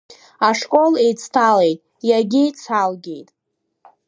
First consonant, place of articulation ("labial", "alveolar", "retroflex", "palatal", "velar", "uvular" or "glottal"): retroflex